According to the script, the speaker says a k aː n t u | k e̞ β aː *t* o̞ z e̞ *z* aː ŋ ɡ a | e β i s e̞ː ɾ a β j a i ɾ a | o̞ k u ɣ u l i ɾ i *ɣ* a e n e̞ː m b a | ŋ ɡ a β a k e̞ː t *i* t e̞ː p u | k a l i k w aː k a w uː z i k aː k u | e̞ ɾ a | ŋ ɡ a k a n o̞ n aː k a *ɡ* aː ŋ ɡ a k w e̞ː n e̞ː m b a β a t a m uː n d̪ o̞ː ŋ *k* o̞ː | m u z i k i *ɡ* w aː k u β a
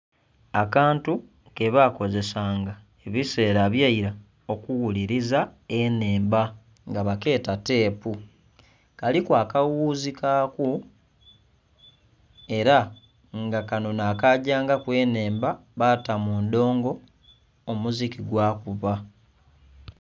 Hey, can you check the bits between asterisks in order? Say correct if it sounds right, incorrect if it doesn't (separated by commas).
incorrect, incorrect, incorrect, incorrect, incorrect, incorrect, correct